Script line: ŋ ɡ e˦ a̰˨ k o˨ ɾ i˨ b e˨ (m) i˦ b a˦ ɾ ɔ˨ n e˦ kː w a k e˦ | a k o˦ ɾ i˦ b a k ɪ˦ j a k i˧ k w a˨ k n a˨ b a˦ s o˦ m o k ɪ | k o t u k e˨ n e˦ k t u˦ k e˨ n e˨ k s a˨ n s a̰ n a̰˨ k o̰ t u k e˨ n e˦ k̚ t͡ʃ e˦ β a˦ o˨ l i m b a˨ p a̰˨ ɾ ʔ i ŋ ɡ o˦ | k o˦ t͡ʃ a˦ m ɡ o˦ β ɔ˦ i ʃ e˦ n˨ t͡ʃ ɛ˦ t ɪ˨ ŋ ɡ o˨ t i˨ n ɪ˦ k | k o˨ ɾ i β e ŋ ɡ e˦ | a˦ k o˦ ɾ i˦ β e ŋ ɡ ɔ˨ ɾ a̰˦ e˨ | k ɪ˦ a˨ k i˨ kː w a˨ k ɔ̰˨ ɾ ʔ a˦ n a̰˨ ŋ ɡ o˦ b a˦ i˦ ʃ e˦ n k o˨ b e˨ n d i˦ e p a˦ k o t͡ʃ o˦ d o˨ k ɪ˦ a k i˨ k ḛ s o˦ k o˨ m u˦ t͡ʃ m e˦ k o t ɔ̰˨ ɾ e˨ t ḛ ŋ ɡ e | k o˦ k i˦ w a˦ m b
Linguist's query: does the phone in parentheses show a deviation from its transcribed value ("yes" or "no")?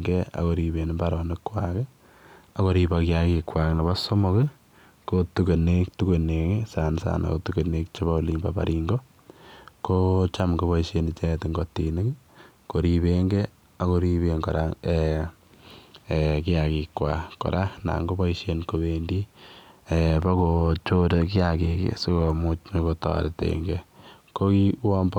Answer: yes